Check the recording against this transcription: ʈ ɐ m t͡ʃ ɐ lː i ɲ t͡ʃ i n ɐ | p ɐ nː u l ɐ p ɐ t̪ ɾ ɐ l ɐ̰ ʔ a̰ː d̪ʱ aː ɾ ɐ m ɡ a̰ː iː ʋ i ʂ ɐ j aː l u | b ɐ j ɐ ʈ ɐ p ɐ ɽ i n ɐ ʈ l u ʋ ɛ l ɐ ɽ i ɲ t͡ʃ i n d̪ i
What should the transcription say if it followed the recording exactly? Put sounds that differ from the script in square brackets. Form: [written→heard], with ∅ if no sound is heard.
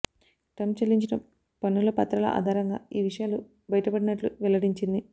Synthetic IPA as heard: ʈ ɐ m t͡ʃ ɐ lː i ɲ t͡ʃ i n ɐ | p ɐ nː u l ɐ p ɐ t̪ ɾ ɐ l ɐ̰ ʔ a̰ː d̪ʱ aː ɾ ɐ [m→ŋ] ɡ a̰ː iː ʋ i ʂ ɐ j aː l u | b ɐ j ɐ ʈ ɐ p ɐ ɽ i n ɐ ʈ l u ʋ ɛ l ɐ ɽ i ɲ t͡ʃ i n d̪ i

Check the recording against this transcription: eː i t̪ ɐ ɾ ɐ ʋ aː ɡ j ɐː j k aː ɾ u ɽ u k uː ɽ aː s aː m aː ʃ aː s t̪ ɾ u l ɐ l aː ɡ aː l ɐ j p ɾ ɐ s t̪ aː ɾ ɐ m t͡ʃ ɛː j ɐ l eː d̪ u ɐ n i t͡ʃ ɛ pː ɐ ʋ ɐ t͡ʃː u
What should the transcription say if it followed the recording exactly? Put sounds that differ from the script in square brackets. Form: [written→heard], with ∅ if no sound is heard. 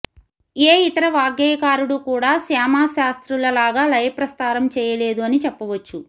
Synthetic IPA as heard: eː i t̪ ɐ ɾ ɐ ʋ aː ɡ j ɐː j k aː ɾ u ɽ u k uː ɽ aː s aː m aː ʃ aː s t̪ ɾ u l ɐ l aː ɡ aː l ɐ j p ɾ ɐ s t̪ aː ɾ ɐ m t͡ʃ ɛː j ɐ l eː d̪ u ɐ n i t͡ʃ ɛ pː ɐ ʋ ɐ t͡ʃː u

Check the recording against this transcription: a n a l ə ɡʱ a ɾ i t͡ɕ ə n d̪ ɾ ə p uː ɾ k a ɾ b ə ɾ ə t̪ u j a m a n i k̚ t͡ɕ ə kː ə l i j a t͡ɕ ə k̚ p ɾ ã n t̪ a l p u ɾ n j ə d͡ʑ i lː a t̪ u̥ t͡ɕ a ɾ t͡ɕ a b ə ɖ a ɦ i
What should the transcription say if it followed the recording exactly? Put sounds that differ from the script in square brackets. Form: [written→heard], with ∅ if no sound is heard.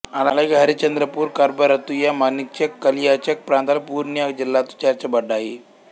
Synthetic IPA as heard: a n a l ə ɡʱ a ɾ i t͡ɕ ə n d̪ ɾ ə p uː ɾ k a ɾ b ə ɾ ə t̪ u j a m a n i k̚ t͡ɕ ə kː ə l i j a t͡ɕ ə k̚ p ɾ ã n t̪ a l p u ɾ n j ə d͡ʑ i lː a t̪ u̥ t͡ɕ a ɾ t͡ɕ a b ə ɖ a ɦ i

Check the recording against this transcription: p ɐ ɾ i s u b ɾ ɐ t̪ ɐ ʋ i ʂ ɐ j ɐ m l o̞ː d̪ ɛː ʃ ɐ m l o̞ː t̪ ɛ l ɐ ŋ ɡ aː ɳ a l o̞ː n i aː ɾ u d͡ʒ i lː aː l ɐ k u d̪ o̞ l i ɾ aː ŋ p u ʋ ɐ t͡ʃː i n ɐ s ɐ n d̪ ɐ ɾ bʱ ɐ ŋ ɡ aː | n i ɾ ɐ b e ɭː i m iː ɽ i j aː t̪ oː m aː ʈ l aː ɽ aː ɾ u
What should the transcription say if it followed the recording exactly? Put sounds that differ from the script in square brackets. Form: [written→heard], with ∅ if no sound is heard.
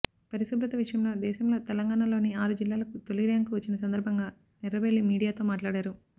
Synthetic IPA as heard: p ɐ ɾ i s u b ɾ ɐ t̪ ɐ ʋ i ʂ ɐ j ɐ m l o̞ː d̪ ɛː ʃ ɐ m l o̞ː t̪ ɛ l ɐ ŋ ɡ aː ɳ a l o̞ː n i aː ɾ u d͡ʒ i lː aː l ɐ k u [d̪→t̪] o̞ l i ɾ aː ŋ [p→k] u ʋ ɐ t͡ʃː i n ɐ s ɐ n d̪ ɐ ɾ bʱ ɐ ŋ ɡ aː | n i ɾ ɐ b e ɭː i m iː ɽ i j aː t̪ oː m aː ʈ l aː ɽ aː ɾ u

